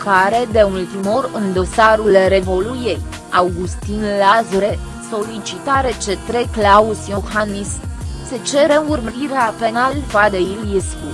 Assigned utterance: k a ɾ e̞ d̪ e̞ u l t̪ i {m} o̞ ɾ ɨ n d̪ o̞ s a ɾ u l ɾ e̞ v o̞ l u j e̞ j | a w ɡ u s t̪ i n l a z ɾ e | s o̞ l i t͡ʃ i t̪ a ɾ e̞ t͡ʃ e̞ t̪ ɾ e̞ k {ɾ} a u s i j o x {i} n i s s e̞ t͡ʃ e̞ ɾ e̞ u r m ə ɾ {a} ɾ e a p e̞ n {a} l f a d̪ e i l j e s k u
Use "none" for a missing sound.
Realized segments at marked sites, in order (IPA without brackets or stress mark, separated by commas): m, l, a, i, a